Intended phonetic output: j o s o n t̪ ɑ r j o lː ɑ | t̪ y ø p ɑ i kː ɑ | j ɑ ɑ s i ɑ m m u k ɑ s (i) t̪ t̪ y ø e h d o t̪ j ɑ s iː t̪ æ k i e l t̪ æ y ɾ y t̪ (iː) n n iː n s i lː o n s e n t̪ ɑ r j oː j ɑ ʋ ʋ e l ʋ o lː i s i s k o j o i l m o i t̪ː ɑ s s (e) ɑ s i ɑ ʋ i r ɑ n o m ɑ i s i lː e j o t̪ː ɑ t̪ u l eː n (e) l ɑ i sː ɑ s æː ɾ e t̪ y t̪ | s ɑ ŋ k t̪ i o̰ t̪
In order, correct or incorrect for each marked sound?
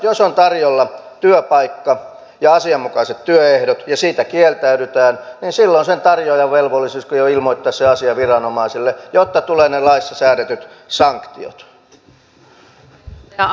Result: incorrect: e, incorrect: æː, correct, correct

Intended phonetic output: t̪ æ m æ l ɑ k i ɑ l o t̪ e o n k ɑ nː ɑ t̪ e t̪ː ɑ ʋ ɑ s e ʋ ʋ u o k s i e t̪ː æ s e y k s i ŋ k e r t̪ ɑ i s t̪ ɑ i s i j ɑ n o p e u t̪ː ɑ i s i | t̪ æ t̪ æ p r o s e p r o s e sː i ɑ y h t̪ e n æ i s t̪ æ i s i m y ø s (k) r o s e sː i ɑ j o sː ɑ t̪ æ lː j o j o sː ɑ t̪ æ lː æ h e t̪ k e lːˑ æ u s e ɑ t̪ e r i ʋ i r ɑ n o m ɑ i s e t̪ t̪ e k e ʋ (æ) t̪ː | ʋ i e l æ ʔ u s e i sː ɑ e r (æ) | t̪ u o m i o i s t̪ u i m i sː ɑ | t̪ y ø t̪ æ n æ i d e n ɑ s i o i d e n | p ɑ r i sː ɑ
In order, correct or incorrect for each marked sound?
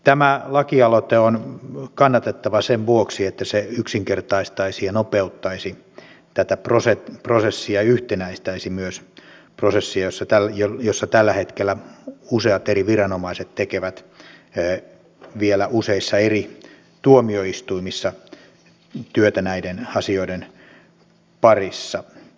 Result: incorrect: p, correct, incorrect: i

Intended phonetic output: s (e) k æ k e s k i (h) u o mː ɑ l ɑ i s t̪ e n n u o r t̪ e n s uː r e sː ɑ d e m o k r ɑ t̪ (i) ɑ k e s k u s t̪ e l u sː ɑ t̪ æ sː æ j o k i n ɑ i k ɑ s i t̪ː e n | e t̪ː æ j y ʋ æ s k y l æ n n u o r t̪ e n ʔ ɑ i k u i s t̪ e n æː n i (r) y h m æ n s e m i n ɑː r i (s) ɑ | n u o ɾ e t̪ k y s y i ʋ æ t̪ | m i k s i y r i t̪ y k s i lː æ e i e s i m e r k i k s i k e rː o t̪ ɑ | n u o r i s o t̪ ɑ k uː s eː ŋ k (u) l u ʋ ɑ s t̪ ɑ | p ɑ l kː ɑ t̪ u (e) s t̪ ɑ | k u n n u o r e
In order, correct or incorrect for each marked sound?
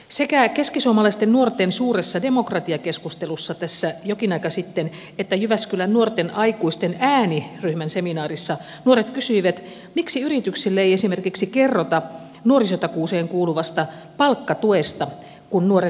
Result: correct, incorrect: s, correct, correct, incorrect: sː, incorrect: uː, correct

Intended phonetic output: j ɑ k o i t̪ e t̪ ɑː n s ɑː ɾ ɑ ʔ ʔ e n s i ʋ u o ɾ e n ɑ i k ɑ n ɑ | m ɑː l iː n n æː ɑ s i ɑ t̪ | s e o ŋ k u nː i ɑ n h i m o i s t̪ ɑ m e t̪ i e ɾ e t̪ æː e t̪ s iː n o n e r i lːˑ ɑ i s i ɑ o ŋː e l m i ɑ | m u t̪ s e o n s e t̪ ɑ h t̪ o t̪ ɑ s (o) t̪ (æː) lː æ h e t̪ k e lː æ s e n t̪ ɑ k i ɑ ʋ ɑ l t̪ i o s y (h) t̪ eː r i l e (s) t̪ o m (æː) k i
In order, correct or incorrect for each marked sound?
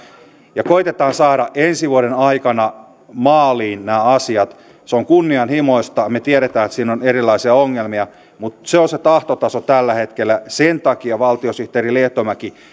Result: correct, incorrect: æ, correct, incorrect: h, incorrect: æ

